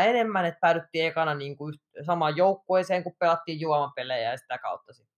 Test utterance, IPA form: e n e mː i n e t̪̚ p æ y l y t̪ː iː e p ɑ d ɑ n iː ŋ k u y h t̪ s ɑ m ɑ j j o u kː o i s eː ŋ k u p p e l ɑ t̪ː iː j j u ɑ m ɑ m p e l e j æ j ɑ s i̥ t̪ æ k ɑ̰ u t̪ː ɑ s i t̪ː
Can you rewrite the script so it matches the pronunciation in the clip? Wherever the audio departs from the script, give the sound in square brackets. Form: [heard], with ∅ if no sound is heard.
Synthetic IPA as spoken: e n e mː [æ] n e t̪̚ p æ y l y t̪ː iː e [k] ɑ [n] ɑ n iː ŋ k u y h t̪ s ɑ m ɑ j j o u kː o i s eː ŋ k u p p e l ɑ t̪ː iː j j u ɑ m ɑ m p e l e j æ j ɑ s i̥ t̪ æ k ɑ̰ u t̪ː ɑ s i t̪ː